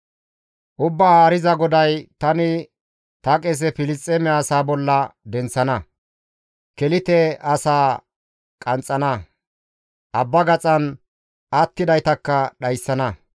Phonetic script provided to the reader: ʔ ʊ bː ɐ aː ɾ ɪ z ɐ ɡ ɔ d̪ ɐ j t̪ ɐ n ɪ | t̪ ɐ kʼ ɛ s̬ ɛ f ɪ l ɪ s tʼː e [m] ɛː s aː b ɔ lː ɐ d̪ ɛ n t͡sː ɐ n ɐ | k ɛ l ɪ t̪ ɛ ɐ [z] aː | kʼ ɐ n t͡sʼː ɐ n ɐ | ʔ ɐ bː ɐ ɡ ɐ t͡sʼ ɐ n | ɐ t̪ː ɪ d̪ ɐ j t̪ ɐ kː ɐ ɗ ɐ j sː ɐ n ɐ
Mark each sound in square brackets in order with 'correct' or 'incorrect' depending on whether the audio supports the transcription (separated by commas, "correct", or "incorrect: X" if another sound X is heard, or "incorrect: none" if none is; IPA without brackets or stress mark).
correct, incorrect: s